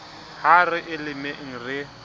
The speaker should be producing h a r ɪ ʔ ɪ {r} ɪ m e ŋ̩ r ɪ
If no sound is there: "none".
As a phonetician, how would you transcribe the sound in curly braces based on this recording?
l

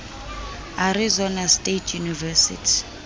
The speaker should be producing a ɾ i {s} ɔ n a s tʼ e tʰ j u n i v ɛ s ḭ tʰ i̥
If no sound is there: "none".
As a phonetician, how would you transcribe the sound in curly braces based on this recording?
z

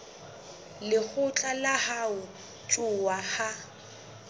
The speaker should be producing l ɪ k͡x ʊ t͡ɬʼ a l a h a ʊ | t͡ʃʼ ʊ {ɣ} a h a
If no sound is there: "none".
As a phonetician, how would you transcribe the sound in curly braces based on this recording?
w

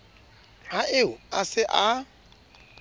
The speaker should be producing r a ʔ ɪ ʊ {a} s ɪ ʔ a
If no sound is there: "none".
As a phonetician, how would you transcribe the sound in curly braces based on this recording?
a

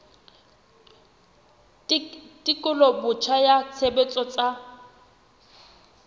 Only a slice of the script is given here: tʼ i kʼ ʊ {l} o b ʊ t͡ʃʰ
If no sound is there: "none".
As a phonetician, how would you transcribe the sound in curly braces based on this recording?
l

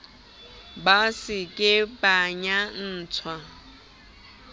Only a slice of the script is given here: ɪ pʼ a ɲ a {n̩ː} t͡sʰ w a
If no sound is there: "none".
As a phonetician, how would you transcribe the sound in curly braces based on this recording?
n̩ː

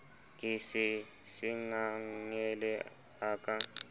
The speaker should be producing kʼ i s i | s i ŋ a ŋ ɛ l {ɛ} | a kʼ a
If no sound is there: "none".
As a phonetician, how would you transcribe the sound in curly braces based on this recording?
ɛ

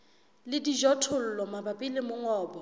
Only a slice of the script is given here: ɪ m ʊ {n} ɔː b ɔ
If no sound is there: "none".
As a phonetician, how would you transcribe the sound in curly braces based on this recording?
ŋ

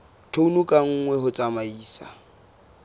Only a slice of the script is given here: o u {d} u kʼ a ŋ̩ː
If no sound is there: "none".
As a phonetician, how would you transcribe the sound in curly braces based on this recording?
n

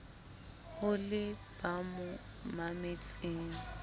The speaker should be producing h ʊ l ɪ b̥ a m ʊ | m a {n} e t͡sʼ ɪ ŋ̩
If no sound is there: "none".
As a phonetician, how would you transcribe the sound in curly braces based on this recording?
m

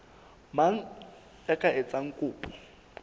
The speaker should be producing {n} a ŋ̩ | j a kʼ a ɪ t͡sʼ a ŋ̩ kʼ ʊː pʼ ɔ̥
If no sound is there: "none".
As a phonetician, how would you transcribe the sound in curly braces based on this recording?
m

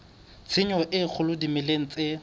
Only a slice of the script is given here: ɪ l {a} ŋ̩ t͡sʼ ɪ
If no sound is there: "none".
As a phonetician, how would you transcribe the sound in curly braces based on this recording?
e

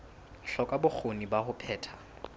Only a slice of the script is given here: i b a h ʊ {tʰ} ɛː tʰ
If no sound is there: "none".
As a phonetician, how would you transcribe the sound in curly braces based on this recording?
pʰ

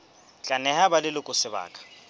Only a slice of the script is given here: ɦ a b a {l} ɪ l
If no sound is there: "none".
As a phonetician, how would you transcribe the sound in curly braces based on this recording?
l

